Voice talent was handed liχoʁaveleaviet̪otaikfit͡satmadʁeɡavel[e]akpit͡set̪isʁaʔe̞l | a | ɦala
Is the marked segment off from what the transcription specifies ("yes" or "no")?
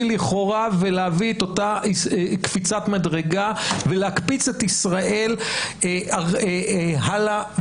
no